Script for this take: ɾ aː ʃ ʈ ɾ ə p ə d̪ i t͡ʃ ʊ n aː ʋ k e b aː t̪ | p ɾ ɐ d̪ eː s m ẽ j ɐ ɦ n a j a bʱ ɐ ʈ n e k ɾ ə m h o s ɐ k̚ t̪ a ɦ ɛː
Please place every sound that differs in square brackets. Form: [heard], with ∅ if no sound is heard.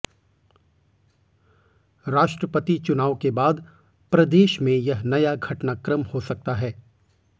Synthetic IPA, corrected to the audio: ɾ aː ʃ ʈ ɾ ə p ə [t̪] i t͡ʃ ʊ n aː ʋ k e b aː [d̪] | p ɾ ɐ d̪ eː [ʃ] m ẽ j ɐ ɦ n [ɐ] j a [ɡʱ] ɐ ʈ n [a] k ɾ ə m h o s ɐ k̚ t̪ a ɦ ɛː